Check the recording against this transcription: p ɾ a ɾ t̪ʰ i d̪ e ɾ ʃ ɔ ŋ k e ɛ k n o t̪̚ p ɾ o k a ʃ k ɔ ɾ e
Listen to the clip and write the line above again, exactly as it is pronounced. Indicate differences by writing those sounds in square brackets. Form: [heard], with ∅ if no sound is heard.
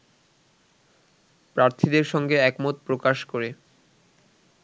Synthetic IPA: p ɾ a ɾ t̪ʰ i d̪ e ɾ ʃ ɔ ŋ [ɡ] e ɛ k [m] o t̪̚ p ɾ o k a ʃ k [o] ɾ e